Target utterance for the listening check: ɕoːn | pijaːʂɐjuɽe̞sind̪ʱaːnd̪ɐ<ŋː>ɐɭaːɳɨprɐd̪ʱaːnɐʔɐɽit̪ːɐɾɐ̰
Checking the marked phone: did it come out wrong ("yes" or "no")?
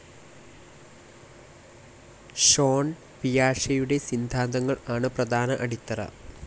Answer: no